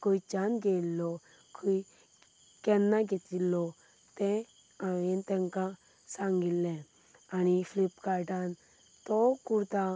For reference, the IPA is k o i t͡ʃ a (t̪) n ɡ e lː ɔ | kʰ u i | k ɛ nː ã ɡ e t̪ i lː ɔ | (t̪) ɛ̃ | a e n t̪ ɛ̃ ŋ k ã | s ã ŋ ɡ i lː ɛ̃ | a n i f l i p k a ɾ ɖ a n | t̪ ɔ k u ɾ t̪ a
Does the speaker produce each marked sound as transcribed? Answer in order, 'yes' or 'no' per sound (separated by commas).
no, yes